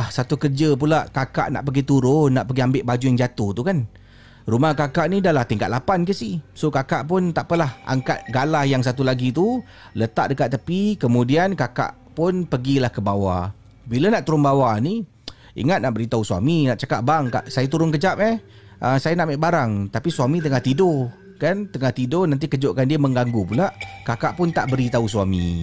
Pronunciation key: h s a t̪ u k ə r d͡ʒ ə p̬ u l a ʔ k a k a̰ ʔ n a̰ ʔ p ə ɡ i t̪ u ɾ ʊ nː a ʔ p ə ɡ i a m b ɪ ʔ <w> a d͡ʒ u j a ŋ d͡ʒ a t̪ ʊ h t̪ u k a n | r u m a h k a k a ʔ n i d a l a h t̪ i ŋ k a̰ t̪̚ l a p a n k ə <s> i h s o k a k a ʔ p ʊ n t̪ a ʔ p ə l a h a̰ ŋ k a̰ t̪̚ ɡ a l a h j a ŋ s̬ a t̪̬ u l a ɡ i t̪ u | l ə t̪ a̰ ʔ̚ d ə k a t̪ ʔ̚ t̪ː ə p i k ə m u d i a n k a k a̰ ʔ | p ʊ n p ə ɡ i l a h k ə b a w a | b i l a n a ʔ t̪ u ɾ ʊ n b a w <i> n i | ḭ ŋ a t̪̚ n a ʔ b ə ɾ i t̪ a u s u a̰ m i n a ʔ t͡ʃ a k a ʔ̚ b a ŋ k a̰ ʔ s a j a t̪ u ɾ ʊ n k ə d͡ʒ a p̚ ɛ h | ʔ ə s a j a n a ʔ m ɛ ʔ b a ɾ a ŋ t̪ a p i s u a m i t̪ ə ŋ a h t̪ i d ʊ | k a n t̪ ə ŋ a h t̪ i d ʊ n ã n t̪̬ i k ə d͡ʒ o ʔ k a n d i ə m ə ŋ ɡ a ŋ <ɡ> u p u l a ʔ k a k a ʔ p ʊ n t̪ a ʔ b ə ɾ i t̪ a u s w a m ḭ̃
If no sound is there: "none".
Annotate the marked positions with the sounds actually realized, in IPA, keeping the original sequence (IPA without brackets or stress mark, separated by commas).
b, s, a, ɡ